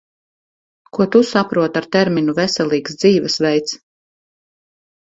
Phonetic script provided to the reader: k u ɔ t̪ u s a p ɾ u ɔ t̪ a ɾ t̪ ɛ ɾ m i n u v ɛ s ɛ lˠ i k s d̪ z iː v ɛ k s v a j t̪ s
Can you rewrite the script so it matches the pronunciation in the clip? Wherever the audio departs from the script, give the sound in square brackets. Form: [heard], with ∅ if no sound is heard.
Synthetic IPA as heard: k u ɔ t̪ u s a p ɾ u ɔ t̪ a ɾ t̪ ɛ ɾ m i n u v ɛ s ɛ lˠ [iː] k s d̪ z iː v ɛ [∅] s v [ɛ] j t̪ s